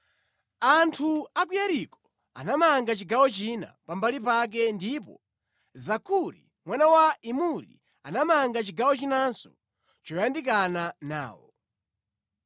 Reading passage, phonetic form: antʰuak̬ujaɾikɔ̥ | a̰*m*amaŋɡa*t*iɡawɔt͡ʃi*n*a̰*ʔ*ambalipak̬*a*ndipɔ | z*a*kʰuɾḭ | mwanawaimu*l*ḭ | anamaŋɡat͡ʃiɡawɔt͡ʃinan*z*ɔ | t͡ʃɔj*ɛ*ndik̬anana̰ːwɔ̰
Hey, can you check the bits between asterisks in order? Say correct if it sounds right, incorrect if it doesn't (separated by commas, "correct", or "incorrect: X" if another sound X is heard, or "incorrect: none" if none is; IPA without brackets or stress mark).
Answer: incorrect: n, incorrect: t͡ʃ, correct, incorrect: p, incorrect: ɛ, correct, incorrect: ɾ, incorrect: s, incorrect: a